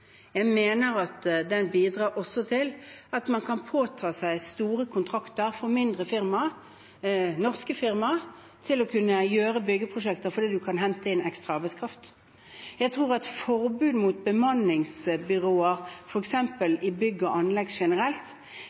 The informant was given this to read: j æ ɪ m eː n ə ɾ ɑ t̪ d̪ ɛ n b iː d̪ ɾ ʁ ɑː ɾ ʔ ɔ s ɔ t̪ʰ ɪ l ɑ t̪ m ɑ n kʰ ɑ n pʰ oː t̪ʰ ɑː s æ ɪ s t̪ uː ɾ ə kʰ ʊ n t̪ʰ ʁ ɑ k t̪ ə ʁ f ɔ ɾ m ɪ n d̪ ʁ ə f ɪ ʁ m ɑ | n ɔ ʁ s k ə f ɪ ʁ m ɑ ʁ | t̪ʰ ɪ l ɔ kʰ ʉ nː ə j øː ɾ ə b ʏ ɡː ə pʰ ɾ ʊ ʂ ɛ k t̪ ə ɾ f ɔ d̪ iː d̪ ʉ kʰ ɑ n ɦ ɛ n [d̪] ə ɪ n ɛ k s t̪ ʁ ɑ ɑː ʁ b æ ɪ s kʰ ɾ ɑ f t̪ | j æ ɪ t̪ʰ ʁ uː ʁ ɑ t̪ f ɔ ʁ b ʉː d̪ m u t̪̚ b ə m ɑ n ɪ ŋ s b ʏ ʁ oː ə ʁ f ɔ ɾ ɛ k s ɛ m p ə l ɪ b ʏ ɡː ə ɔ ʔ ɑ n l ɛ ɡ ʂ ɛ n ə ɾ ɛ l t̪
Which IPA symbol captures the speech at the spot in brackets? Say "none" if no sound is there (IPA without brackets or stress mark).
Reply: t̪